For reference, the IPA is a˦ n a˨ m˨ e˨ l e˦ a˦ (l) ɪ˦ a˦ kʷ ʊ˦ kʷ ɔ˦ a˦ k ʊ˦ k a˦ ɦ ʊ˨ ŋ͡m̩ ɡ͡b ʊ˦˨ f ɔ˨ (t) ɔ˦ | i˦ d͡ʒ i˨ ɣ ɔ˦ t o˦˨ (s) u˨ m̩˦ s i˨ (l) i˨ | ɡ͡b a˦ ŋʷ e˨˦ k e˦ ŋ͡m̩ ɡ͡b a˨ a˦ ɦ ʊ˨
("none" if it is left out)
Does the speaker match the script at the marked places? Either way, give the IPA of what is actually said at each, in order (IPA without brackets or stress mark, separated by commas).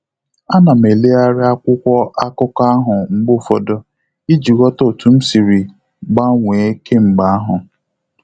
ɾ, d, t, ɾ